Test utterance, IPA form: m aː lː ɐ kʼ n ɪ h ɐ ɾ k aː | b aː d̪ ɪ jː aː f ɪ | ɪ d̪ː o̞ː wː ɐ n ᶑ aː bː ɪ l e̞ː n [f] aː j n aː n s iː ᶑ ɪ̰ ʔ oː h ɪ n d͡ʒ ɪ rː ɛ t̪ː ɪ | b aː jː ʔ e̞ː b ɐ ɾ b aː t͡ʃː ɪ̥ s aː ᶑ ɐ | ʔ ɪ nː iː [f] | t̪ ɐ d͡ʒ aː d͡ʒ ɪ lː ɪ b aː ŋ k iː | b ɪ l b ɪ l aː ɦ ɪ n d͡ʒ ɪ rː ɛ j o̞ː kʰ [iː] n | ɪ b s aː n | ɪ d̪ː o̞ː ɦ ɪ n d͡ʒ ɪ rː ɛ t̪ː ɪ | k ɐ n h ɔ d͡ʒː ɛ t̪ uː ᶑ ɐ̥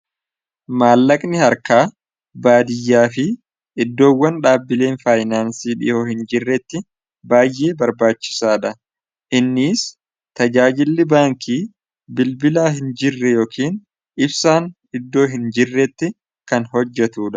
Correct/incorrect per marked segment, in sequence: correct, incorrect: s, correct

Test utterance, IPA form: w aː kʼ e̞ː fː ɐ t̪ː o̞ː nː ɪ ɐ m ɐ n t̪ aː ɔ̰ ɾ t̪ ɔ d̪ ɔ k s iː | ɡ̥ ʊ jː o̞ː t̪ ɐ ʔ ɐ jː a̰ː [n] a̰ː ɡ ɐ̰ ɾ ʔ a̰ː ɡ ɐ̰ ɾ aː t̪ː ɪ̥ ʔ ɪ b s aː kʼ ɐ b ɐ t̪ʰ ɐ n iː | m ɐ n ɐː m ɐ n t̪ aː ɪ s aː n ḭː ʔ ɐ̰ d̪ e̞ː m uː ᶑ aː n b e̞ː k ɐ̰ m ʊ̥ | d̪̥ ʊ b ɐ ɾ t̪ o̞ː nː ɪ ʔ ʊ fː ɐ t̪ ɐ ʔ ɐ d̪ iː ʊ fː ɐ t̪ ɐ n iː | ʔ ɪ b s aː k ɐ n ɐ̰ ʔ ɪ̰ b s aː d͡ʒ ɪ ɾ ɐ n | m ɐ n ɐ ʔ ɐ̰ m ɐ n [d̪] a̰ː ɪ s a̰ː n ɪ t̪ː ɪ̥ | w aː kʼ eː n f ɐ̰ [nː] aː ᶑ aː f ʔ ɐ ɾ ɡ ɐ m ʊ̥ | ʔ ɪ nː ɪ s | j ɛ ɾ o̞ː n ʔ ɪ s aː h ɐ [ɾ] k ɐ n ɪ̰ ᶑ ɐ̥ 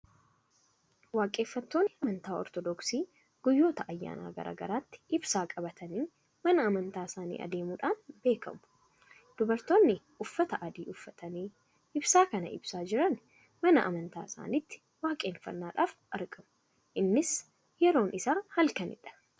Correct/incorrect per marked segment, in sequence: correct, incorrect: t̪, correct, incorrect: l

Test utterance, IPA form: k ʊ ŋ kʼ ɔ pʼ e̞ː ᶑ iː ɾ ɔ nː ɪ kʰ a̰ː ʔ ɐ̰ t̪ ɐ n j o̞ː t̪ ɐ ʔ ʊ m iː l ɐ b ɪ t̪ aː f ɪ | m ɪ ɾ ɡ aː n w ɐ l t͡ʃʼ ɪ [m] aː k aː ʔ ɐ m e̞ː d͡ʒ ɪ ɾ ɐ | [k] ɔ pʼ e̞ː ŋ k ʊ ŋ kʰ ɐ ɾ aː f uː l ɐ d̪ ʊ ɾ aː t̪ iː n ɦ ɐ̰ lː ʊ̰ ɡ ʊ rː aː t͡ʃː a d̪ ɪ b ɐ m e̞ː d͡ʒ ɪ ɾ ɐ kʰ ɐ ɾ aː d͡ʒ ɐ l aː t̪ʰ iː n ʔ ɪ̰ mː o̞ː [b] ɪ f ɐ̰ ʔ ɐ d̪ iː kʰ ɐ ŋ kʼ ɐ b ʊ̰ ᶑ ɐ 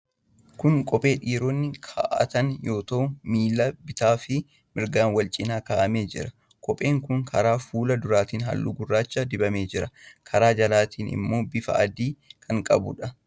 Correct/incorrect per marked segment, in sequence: incorrect: n, incorrect: kʼ, correct

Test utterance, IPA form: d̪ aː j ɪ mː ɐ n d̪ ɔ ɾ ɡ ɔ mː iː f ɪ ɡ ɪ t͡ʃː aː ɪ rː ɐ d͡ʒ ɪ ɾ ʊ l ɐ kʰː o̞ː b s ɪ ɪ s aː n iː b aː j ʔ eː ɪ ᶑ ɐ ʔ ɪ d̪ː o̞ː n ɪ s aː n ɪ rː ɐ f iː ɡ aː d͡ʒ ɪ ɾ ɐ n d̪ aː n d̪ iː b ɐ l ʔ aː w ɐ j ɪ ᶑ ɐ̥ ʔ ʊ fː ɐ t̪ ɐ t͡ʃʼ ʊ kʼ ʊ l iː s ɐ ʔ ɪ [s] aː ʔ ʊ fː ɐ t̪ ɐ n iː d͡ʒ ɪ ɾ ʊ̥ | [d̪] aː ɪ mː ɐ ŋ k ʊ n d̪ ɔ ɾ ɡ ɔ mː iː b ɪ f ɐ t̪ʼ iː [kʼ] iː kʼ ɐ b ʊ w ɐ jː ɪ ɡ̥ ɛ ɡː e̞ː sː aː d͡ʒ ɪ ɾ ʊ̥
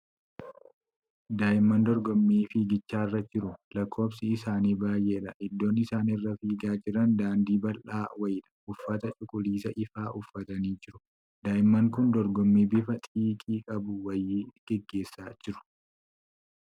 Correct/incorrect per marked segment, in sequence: incorrect: f, correct, correct

